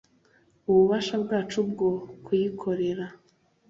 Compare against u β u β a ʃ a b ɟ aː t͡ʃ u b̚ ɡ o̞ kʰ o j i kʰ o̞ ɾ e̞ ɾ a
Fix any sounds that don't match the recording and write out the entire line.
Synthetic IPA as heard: u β u β a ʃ a b ɡ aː t͡ʃ u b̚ ɡ o̞ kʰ u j i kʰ o̞ ɾ e̞ ɾ a